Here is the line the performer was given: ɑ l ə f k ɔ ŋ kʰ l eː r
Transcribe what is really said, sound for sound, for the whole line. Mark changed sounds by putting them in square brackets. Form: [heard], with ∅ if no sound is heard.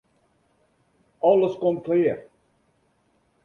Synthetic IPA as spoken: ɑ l ə [s] k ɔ [m] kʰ l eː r